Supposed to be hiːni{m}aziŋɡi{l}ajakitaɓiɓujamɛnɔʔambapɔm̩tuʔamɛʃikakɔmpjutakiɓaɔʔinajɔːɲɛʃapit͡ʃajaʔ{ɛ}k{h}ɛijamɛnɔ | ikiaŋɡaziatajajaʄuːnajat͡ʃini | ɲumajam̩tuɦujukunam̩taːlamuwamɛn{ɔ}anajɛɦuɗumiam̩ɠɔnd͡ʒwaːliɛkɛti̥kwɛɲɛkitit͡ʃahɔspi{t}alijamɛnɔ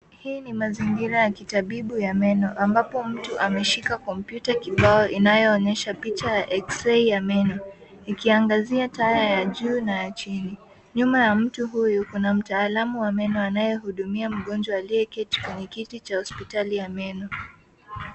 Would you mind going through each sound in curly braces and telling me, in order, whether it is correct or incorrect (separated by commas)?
correct, incorrect, correct, incorrect, correct, correct